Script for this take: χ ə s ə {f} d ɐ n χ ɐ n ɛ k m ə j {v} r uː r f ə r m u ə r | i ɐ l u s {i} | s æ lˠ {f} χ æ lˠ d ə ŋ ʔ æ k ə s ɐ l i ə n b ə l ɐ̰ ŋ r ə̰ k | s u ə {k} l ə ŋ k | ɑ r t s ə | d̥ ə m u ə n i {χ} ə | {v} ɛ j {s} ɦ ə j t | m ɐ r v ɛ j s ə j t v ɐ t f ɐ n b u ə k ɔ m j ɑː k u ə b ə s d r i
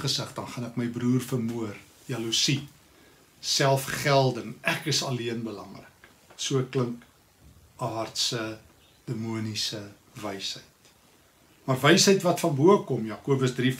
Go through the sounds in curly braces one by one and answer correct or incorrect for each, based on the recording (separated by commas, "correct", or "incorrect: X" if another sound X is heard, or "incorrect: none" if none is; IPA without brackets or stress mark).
incorrect: χ, incorrect: b, correct, correct, correct, incorrect: s, correct, correct